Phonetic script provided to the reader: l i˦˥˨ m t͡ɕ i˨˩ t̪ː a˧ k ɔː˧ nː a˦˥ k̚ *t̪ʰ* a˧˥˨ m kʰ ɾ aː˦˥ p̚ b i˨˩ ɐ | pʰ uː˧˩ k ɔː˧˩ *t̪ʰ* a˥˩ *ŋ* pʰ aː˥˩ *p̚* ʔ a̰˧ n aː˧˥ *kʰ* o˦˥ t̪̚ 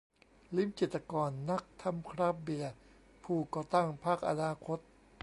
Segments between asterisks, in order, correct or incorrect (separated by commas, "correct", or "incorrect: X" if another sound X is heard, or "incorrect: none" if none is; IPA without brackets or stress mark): correct, incorrect: t̪, correct, incorrect: k̚, correct